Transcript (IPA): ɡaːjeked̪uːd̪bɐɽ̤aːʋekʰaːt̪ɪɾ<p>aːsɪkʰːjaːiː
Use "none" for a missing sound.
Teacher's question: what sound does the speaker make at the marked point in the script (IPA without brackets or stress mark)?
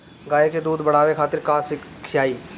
k